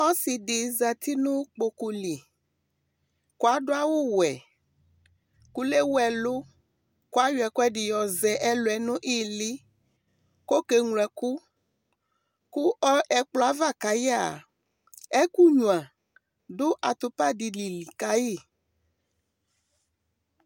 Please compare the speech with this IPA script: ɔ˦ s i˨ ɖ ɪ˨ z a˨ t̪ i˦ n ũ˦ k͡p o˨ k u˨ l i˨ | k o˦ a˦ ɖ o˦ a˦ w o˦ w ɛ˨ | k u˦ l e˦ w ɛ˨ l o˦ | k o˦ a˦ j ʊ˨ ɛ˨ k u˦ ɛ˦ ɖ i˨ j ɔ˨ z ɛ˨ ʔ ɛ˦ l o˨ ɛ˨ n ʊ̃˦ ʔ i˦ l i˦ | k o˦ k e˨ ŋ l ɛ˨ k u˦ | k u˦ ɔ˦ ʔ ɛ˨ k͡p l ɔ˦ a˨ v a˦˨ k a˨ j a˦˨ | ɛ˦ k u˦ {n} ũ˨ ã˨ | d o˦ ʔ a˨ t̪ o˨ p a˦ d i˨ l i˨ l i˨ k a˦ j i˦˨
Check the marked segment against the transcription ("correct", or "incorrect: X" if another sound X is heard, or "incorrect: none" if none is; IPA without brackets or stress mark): incorrect: ɲ